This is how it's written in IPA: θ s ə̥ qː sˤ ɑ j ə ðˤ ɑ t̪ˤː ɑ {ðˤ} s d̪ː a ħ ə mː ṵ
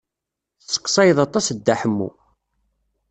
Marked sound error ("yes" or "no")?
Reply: yes